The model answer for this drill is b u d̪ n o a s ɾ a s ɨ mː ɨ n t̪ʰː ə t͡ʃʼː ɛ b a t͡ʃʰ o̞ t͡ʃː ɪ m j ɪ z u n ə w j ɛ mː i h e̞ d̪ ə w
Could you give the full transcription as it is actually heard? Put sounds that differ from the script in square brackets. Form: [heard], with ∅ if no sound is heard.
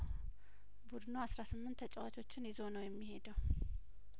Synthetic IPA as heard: b u d̪ n o a s ɾ a s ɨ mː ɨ n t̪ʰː ə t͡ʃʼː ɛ [w] a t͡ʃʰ o̞ t͡ʃː ɪ [n] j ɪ z [o] n ə w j ɛ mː i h e̞ d̪ ə w